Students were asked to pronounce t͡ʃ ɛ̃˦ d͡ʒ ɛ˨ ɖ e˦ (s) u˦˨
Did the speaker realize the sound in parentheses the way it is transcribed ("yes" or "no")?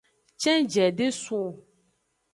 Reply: yes